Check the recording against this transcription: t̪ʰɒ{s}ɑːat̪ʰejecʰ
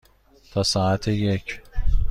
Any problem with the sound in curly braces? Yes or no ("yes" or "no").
no